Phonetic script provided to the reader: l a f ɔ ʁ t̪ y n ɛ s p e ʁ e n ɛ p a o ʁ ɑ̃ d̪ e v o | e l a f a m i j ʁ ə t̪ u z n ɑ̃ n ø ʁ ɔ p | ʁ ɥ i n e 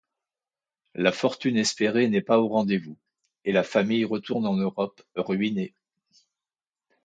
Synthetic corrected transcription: l a f ɔ ʁ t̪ y n ɛ s p e ʁ e n ɛ p a o ʁ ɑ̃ d̪ e v u | e l a f a m i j ʁ ə t̪ u ʁ n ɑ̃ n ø ʁ ɔ p | ʁ ɥ i n e